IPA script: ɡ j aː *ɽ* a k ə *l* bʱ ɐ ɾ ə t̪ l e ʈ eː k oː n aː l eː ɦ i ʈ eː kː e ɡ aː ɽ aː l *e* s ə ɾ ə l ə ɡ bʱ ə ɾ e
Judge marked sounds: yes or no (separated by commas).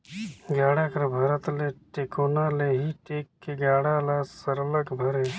yes, no, no